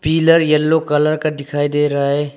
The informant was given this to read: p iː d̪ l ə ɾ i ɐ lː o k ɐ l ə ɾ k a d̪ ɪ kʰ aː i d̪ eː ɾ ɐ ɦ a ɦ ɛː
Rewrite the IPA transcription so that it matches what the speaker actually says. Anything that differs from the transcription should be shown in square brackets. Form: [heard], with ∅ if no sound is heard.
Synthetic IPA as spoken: p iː [∅] l ə ɾ [j] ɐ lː o k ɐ l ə ɾ k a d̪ ɪ kʰ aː i d̪ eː ɾ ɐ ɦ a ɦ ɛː